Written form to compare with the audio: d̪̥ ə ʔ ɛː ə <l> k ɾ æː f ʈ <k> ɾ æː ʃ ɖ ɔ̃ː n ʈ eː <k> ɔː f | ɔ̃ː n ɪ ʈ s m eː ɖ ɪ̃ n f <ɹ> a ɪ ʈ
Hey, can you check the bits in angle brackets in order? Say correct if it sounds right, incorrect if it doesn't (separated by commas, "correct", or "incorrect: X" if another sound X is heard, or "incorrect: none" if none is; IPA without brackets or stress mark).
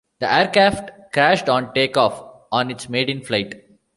incorrect: ɾ, correct, correct, incorrect: l